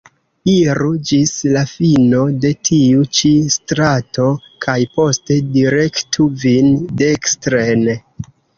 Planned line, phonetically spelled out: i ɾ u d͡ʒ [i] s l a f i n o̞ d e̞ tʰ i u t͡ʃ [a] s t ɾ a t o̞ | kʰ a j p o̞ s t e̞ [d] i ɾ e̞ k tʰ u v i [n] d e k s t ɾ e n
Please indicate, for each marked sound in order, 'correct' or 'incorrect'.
correct, incorrect: i, correct, correct

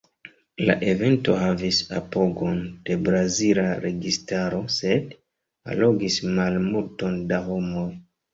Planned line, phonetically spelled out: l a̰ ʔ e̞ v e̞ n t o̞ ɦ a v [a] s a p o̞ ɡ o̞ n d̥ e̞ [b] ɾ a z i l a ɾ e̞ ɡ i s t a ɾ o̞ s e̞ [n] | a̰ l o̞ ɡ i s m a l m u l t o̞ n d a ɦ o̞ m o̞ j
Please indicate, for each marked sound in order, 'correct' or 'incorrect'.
incorrect: i, correct, incorrect: d

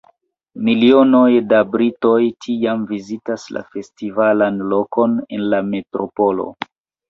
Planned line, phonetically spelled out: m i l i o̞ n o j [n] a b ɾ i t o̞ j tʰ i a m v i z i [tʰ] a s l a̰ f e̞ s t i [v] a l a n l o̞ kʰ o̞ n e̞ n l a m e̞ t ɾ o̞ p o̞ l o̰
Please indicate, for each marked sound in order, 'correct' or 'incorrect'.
incorrect: d, incorrect: t, correct

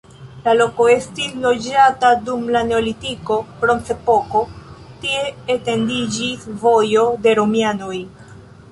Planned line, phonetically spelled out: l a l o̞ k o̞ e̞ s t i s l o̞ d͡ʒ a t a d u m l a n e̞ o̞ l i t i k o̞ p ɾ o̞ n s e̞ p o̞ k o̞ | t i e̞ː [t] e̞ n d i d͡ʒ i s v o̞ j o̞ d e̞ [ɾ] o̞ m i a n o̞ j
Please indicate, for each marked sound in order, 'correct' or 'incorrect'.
correct, correct

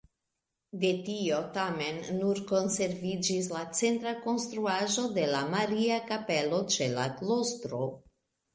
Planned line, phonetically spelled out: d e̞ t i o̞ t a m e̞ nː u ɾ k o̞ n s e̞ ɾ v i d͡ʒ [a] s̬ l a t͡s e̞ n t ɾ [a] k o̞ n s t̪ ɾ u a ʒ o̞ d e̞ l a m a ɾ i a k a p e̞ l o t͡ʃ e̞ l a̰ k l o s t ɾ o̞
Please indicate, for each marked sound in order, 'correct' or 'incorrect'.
incorrect: i, correct

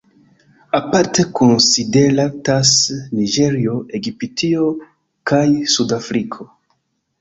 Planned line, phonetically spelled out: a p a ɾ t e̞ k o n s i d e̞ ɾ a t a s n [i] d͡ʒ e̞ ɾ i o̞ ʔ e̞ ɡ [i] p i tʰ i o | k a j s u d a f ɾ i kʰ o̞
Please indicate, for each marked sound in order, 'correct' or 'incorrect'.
correct, correct

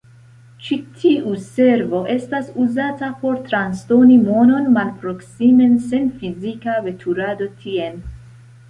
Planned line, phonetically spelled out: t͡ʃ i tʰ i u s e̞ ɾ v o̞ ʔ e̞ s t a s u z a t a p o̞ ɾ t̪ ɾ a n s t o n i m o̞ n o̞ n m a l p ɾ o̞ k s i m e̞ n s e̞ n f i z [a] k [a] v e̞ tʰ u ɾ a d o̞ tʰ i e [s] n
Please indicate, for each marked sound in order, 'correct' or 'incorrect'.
incorrect: i, correct, incorrect: none

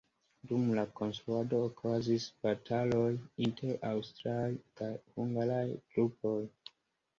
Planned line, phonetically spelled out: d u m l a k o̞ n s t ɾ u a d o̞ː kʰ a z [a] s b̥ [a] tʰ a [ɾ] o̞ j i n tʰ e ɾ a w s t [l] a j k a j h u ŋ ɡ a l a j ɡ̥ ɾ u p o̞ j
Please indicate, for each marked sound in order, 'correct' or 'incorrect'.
incorrect: i, correct, incorrect: l, incorrect: ɾ

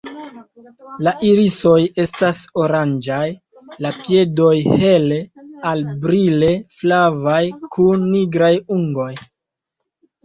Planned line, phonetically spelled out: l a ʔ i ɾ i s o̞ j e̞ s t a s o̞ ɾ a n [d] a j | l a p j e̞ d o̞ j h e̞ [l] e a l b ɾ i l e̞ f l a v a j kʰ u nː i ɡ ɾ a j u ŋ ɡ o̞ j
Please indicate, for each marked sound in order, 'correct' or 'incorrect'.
incorrect: d͡ʒ, correct

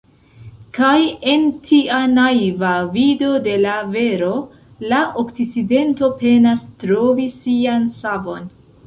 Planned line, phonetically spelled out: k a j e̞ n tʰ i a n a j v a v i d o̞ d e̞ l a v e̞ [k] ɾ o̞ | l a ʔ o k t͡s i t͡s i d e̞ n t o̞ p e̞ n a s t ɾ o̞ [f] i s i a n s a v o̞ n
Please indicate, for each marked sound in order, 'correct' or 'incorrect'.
incorrect: none, incorrect: v

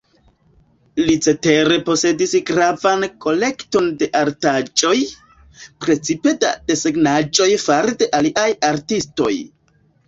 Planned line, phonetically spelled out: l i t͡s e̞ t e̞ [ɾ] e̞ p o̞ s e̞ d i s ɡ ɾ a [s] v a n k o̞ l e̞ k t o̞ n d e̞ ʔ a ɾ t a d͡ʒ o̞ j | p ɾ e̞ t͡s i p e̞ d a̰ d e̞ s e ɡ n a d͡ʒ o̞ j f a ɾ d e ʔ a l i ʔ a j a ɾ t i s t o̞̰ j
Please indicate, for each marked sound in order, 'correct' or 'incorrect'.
correct, incorrect: none

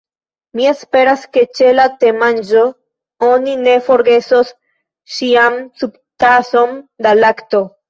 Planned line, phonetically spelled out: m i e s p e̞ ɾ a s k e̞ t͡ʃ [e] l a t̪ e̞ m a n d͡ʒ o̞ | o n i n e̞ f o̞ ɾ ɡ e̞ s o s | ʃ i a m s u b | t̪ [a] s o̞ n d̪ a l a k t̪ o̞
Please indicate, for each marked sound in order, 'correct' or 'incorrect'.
correct, correct

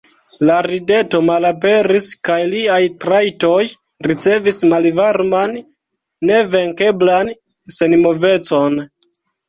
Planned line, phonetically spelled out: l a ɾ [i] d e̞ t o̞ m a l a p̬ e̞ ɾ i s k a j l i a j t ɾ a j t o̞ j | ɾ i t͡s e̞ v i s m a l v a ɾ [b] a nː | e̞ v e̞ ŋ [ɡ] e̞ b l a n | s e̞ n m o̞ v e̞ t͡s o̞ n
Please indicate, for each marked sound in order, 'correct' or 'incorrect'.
correct, incorrect: m, incorrect: k

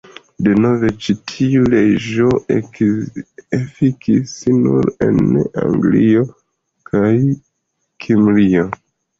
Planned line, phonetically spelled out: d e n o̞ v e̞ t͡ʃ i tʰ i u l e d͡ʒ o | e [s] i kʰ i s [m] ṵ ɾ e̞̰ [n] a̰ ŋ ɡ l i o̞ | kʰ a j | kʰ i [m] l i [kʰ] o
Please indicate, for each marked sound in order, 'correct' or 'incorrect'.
incorrect: f, incorrect: n, correct, correct, incorrect: none

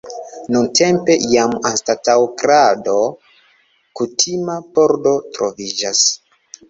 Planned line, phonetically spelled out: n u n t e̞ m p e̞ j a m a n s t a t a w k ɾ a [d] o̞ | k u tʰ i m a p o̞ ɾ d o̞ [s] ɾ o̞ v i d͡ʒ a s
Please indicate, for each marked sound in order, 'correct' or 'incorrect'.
correct, incorrect: t

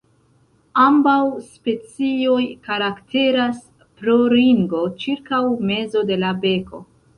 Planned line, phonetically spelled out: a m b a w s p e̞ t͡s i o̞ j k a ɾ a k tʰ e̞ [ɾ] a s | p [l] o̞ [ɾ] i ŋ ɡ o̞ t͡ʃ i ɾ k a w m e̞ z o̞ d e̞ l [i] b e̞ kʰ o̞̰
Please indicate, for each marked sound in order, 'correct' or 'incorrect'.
correct, incorrect: ɾ, correct, incorrect: a

